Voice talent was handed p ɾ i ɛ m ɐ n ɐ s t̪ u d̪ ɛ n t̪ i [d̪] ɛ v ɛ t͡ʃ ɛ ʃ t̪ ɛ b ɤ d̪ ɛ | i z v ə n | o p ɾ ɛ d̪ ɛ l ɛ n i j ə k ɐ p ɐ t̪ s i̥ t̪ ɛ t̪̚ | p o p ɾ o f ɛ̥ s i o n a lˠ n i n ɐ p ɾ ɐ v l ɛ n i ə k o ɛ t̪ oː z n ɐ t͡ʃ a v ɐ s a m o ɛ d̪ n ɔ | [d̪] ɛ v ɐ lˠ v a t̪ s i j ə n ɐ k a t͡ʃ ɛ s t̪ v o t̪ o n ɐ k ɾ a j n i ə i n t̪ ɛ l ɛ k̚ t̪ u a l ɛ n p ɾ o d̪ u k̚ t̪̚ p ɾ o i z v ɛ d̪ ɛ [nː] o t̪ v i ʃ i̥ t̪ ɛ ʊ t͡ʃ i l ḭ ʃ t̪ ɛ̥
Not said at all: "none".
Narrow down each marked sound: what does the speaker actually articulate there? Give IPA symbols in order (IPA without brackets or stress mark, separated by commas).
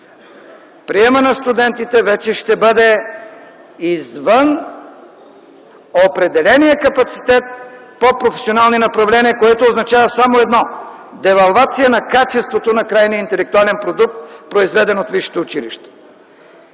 t̪, d̪, n